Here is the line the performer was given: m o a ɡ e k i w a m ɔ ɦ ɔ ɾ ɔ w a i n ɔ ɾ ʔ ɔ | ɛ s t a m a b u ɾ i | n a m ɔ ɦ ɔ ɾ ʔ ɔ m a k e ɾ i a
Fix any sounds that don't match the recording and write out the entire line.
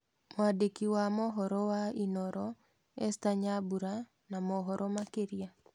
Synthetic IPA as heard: m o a d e k i w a m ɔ ɦ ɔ ɾ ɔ w a i n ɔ ɾ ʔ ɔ | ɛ s t a ɲ a b u ɾ a | n a m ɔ ɦ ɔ ɾ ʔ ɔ m a k e ɾ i a